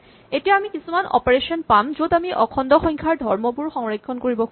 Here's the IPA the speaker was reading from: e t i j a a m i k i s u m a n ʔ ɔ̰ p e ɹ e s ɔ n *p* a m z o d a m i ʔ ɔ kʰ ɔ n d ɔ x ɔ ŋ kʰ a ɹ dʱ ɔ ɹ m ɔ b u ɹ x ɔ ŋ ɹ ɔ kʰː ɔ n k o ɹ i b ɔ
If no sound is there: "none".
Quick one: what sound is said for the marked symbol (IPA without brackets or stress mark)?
p